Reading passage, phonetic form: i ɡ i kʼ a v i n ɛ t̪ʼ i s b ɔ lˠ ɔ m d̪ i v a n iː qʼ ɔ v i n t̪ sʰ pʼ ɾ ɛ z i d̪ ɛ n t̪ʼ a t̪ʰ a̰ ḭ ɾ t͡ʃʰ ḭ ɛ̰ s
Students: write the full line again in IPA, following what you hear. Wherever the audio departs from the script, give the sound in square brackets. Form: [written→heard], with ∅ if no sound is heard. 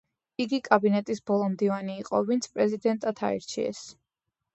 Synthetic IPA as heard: i ɡ i kʼ a [v→b] i n ɛ t̪ʼ i s b ɔ lˠ ɔ m d̪ i v a n iː qʼ ɔ v i n t̪ sʰ pʼ ɾ ɛ z i d̪ ɛ n t̪ʼ a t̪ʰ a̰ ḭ ɾ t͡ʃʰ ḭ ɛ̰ s

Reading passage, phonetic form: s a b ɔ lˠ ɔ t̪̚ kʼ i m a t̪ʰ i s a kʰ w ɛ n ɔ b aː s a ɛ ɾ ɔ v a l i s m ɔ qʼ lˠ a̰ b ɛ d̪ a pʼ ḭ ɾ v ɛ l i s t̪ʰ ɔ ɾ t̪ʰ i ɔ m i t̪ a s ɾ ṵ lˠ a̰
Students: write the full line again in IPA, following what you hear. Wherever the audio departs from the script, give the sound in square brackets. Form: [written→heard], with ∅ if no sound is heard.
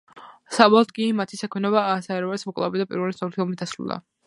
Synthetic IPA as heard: s a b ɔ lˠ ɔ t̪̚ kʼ i m a t̪ʰ i s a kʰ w ɛ n ɔ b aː s a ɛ ɾ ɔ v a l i s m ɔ [qʼ→kʼ] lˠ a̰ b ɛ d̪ a pʼ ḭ ɾ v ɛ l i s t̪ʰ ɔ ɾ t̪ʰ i ɔ m i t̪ a s ɾ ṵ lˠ a̰

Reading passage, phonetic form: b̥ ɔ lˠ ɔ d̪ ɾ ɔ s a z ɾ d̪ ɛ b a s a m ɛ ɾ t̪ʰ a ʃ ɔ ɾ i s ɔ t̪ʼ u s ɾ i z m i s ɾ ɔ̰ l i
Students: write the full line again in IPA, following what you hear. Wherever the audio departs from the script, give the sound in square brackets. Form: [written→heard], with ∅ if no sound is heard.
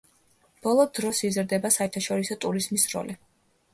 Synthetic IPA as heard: b̥ ɔ lˠ ɔ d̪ ɾ ɔ s [a→i] z ɾ d̪ ɛ b a s a [m→∅] ɛ ɾ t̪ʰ a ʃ ɔ ɾ i s ɔ t̪ʼ u [s→∅] ɾ i z m i s ɾ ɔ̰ l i

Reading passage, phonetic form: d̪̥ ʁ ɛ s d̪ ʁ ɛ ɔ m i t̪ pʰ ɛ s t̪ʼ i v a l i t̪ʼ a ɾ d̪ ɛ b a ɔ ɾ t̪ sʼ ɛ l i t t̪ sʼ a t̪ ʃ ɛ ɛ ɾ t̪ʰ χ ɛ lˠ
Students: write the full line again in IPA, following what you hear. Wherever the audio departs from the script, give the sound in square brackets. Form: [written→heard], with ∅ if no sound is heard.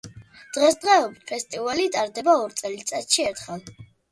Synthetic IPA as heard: d̪̥ ʁ ɛ s d̪ ʁ ɛ ɔ [m→b] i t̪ pʰ ɛ s t̪ʼ i v a l i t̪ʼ a ɾ d̪ ɛ b a ɔ ɾ t̪ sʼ ɛ l i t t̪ sʼ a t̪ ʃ [ɛ→i] ɛ ɾ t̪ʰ χ ɛ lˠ

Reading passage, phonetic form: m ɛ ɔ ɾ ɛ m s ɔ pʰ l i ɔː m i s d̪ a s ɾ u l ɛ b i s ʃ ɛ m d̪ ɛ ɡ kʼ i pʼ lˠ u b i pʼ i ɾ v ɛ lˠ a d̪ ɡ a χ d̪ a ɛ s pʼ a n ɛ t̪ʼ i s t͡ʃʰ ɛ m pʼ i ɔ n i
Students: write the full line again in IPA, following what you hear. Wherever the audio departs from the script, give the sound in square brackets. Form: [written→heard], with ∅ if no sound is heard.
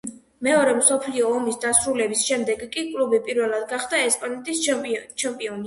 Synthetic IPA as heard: m ɛ ɔ ɾ ɛ m s ɔ pʰ l i ɔː m i s d̪ a s ɾ u l ɛ b i s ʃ ɛ m d̪ ɛ ɡ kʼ i [pʼ→kʼ] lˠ u b i pʼ i ɾ v ɛ lˠ a d̪ ɡ a χ d̪ a ɛ s pʼ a n ɛ t̪ʼ i s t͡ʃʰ ɛ m pʼ i ɔ n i

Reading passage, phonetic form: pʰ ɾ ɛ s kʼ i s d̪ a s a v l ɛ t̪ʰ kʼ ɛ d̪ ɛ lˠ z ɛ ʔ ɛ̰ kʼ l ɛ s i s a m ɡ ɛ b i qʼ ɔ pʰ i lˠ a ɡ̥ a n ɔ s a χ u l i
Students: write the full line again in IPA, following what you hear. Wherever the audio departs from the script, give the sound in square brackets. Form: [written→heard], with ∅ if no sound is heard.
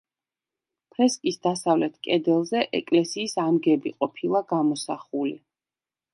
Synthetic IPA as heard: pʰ ɾ ɛ s kʼ i s d̪ a s a v l ɛ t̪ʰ kʼ ɛ d̪ ɛ lˠ z ɛ ʔ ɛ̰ kʼ l ɛ s [i→iː] s a m ɡ ɛ b i qʼ ɔ pʰ i lˠ a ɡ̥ a [n→m] ɔ s a χ u l i

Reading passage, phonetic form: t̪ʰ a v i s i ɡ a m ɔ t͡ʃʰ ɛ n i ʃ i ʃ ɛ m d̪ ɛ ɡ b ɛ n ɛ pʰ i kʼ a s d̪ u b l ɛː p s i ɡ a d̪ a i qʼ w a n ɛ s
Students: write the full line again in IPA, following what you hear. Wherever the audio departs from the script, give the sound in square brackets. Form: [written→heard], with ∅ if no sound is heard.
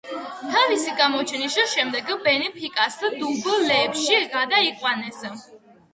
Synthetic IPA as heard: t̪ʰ a v i s i ɡ a m ɔ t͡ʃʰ ɛ n i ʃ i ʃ ɛ m d̪ ɛ ɡ b ɛ n ɛ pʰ i kʼ a s d̪ u b l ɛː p [s→ʃ] i ɡ a d̪ a i qʼ w a n ɛ s

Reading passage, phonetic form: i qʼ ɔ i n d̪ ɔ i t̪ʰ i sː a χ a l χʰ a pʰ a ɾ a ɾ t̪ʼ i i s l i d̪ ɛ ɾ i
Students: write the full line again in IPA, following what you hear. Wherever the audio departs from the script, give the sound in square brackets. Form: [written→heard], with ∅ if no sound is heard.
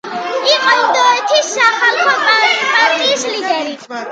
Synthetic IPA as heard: i qʼ ɔ i n d̪ ɔ [i→ɛ] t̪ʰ i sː a χ a l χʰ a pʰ a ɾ a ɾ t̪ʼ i i s l i d̪ ɛ ɾ i

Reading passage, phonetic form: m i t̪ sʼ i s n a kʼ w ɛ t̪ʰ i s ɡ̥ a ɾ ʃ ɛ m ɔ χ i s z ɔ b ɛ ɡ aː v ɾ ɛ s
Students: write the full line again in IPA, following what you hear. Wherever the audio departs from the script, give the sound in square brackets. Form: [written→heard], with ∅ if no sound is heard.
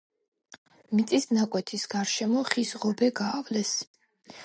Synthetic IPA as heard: m i t̪ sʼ i s n a kʼ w ɛ t̪ʰ i s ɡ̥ a ɾ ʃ ɛ m ɔ χ i s [z→ʁ] ɔ b ɛ ɡ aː v [ɾ→l] ɛ s

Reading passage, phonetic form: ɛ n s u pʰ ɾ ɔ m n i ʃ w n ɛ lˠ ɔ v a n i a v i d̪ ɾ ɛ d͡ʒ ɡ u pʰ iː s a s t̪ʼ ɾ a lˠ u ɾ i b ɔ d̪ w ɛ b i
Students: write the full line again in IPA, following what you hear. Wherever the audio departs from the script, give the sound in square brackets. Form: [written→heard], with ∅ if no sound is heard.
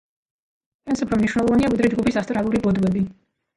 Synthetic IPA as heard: ɛ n s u pʰ ɾ ɔ m n i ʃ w n ɛ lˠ ɔ v a n i a v i d̪ ɾ ɛ d͡ʒ ɡ u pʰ [iː→i] s a s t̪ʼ ɾ a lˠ u ɾ i b ɔ d̪ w ɛ b i

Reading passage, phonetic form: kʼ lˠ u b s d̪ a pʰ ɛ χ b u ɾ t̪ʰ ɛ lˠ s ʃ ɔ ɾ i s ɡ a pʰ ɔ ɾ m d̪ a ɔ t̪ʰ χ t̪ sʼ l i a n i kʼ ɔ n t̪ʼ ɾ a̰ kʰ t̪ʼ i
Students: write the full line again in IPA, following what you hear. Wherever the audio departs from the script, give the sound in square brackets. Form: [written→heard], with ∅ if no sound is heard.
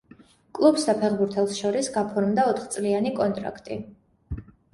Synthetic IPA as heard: kʼ lˠ u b s d̪ a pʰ ɛ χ b u ɾ t̪ʰ ɛ lˠ s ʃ ɔ ɾ i s ɡ a pʰ ɔ ɾ m d̪ a ɔ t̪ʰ χ t̪ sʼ l i a n i kʼ ɔ n t̪ʼ ɾ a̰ kʰ t̪ʼ i

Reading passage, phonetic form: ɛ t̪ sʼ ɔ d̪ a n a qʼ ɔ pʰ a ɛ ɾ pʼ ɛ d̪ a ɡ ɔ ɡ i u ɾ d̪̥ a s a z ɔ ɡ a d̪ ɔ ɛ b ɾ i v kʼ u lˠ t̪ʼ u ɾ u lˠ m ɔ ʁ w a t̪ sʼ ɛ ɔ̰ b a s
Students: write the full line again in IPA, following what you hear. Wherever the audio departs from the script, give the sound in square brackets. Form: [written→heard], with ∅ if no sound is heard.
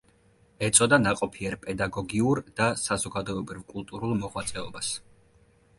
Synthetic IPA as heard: ɛ t̪ sʼ ɔ d̪ a n a qʼ ɔ pʰ [a→i] ɛ ɾ pʼ ɛ d̪ a ɡ ɔ ɡ i u ɾ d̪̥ a s a z ɔ ɡ a d̪ ɔ ɛ b ɾ i v kʼ u lˠ t̪ʼ u ɾ u lˠ m ɔ ʁ w a t̪ sʼ ɛ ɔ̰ b a s

